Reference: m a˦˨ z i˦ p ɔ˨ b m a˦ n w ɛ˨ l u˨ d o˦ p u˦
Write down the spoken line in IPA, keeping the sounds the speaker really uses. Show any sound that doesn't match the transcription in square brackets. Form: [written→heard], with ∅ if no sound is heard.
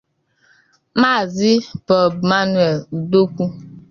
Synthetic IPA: m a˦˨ z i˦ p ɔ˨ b m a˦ n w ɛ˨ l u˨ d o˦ [p→k] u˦